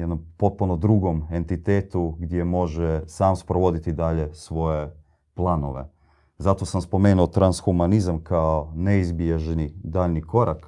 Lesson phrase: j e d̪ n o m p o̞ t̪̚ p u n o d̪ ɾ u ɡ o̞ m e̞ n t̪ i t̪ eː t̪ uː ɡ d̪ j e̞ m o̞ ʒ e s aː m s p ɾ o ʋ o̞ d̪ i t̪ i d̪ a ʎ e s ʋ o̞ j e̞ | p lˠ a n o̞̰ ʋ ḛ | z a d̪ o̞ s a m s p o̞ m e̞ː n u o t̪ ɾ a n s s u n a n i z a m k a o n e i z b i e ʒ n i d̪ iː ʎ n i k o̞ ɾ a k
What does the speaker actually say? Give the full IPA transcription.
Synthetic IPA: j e d̪ n o m p o̞ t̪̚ p u n o d̪ ɾ u ɡ o̞ m e̞ n t̪ i t̪ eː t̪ u ɡ d̪ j e̞ m o̞ ʒ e s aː m s p ɾ o ʋ o̞ d̪ i t̪ i d̪ a ʎ e s ʋ o̞ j e̞ | p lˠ a n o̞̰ ʋ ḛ | z a t̪ o̞ s a m s p o̞ m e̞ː n u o t̪ ɾ a n s x u m a n i z a m k a o n e i z b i e ʒ n i d̪ aː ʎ n i k o̞ ɾ a k